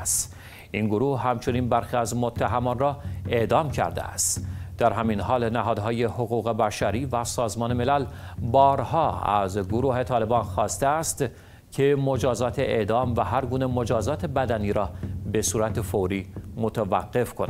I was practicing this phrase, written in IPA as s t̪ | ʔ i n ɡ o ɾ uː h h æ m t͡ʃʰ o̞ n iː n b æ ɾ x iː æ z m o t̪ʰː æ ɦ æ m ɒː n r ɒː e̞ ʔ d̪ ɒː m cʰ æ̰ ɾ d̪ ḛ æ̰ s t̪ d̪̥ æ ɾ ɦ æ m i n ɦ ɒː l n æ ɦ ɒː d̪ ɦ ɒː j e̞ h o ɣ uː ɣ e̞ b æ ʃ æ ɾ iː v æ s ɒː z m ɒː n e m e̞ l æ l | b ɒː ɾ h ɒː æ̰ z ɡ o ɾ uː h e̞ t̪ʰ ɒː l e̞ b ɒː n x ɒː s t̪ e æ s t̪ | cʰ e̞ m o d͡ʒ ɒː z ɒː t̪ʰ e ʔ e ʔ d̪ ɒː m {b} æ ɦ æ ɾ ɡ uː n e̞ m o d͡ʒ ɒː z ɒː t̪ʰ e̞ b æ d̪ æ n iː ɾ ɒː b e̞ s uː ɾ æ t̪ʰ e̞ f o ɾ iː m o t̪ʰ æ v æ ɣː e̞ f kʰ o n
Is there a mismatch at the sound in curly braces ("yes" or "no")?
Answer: yes